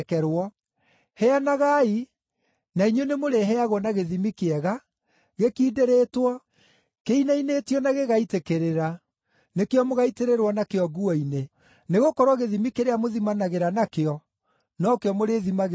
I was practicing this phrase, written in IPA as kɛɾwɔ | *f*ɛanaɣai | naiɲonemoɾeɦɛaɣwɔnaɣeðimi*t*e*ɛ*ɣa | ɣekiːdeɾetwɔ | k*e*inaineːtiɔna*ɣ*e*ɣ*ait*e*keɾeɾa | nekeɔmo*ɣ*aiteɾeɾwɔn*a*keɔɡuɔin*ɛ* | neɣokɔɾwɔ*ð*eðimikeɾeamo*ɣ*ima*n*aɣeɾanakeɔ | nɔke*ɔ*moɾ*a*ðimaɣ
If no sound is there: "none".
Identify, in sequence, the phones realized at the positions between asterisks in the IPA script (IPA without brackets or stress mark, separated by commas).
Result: h, k, ɛ, e, ɣ, ɣ, e, ɣ, a, e, ɣ, ð, n, ɔ, e